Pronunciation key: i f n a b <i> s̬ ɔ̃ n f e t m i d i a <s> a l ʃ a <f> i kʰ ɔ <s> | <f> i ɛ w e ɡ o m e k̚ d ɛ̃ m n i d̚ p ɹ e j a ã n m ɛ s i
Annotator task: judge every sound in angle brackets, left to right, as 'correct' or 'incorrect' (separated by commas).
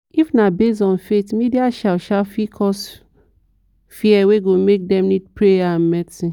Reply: incorrect, incorrect, correct, correct, correct